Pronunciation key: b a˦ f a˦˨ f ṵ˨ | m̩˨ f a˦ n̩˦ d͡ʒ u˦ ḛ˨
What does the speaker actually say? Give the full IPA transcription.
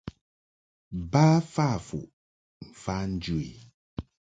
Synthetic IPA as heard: b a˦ f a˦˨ f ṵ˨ | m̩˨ f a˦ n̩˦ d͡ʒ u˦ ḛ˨

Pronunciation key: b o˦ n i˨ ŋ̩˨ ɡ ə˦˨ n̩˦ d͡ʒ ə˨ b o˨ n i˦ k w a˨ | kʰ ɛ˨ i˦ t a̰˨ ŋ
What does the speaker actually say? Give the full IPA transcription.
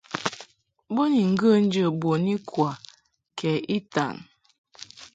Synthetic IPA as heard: b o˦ n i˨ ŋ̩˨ ɡ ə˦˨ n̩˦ d͡ʒ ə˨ b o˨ n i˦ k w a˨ | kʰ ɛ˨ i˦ t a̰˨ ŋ

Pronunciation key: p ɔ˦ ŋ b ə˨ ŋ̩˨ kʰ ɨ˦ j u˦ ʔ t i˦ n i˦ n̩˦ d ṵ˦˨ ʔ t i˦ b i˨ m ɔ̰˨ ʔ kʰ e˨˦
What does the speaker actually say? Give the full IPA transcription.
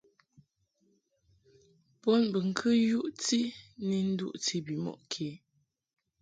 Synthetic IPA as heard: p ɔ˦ n b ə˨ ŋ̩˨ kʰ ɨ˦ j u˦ ʔ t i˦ n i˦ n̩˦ d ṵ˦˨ ʔ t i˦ b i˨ m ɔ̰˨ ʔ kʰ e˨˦

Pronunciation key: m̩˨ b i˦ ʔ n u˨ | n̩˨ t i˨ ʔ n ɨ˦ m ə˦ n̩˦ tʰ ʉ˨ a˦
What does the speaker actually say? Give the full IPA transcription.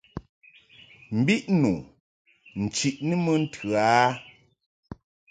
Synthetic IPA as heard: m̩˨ b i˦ ʔ n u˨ | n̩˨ t͡ʃ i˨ ʔ n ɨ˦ m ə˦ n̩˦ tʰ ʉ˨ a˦

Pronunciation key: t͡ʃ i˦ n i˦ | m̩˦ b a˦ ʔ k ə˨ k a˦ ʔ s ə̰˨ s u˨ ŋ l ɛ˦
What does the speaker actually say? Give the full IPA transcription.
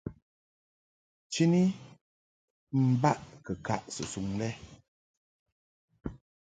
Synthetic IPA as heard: t͡ʃ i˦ n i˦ | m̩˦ b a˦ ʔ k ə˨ k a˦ ʔ s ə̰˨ s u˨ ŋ l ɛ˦

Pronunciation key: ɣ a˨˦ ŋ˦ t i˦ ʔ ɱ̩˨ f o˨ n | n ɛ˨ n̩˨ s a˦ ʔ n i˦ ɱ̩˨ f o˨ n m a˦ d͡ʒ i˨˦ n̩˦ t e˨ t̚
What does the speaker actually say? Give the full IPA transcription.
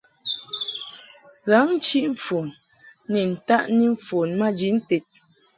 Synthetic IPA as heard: ɣ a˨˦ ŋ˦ t͡ʃ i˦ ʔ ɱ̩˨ f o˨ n | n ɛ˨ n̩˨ t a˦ ʔ n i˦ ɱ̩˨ f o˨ n m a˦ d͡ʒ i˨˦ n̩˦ t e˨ t̚

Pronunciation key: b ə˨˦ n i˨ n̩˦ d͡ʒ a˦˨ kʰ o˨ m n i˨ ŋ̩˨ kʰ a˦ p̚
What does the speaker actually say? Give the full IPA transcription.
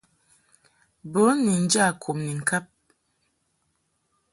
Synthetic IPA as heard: b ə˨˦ n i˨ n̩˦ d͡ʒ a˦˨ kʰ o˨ m n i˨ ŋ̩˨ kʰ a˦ p̚

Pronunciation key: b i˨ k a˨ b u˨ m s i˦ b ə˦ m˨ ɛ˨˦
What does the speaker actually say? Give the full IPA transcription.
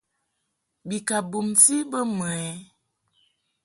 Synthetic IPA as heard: b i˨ k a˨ b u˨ m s i˦ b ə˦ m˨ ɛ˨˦

